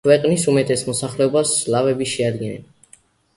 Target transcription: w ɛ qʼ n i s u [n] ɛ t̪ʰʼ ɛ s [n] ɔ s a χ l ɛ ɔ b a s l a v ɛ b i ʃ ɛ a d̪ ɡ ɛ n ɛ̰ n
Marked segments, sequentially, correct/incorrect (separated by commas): incorrect, incorrect